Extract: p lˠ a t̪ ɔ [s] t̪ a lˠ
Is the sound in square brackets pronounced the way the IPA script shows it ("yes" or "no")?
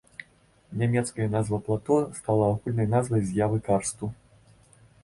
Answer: yes